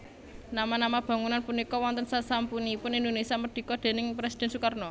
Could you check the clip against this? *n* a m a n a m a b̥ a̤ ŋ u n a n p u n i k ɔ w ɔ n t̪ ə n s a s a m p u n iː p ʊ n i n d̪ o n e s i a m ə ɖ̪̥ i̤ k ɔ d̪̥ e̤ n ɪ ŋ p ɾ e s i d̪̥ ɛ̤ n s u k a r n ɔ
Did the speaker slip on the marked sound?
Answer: no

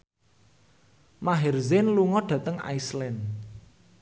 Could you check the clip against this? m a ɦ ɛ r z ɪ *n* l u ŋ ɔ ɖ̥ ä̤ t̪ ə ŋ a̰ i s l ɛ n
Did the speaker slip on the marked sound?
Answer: no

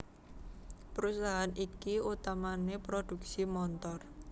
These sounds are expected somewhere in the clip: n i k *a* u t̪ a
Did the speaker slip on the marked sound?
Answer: yes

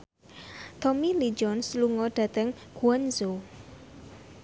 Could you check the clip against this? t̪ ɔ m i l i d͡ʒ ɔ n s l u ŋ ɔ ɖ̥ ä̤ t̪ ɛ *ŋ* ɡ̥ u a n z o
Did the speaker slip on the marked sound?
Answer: no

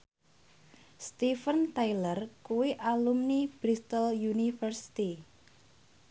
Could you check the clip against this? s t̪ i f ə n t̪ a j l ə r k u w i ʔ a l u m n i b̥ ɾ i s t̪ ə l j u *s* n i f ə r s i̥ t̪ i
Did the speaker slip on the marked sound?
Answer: yes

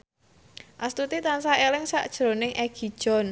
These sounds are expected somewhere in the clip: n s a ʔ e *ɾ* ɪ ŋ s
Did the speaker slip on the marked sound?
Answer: yes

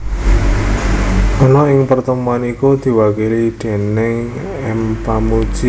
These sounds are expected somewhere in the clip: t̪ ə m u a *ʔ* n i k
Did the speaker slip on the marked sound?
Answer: yes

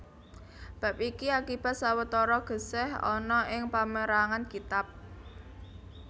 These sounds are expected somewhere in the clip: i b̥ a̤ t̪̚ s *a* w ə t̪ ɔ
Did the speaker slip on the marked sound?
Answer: no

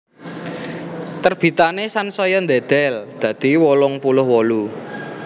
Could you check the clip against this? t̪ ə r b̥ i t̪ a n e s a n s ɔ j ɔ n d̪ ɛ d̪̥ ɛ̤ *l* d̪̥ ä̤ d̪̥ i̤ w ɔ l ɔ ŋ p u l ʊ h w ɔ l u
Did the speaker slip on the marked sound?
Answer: no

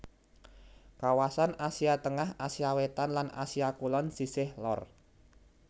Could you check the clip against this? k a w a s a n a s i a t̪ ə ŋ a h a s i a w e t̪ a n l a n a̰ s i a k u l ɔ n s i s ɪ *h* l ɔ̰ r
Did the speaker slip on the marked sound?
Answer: no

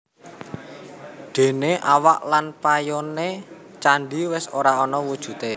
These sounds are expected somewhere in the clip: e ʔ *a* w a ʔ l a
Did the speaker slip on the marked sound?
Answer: no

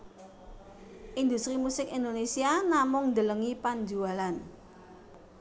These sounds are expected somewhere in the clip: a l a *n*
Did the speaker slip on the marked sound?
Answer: no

